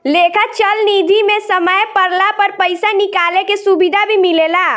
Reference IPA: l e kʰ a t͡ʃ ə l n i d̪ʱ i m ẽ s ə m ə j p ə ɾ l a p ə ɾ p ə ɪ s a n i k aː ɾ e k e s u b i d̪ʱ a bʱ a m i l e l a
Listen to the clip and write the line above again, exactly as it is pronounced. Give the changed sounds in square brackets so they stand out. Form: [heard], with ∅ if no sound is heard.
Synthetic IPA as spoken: l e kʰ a t͡ʃ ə l n i d̪ʱ i m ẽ s ə m ə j p ə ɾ l a p ə ɾ p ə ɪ s a n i k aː [l] e k e s u b i d̪ʱ a bʱ [i] m i l e l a